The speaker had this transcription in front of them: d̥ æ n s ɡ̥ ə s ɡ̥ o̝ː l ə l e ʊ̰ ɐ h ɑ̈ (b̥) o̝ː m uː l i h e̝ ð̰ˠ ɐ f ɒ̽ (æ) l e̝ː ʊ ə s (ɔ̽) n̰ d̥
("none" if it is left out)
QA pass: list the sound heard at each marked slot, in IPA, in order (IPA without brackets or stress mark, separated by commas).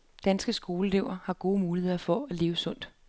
ɡ̥, æ, ɔ̽